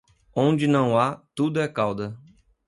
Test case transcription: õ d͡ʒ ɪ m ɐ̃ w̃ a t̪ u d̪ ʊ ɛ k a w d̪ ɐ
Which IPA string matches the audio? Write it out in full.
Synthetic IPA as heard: õ d͡ʒ ɪ n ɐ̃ w̃ a t̪ u d̪ ʊ ɛ k a w d̪ ɐ